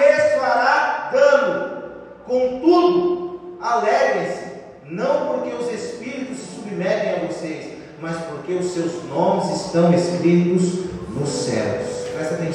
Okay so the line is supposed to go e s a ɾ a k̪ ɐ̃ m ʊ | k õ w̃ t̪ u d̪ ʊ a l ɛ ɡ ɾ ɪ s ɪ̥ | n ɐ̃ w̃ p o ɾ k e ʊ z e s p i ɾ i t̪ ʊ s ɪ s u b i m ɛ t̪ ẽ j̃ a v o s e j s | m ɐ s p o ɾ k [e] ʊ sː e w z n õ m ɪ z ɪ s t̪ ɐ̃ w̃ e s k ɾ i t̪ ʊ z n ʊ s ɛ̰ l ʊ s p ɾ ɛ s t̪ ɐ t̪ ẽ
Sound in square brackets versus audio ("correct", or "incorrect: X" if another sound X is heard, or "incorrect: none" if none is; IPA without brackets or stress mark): correct